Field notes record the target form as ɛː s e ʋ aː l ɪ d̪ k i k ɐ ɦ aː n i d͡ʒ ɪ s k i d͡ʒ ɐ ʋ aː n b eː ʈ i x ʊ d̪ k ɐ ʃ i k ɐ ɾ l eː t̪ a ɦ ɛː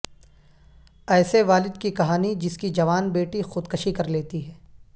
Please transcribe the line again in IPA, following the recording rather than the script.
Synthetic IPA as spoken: ɛː s e ʋ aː l ɪ d̪ k i k ɐ ɦ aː n i d͡ʒ ɪ s k i d͡ʒ ɐ ʋ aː n b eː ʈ i x ʊ d̪ k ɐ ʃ i k ɐ ɾ l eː t̪ i ɦ ɛː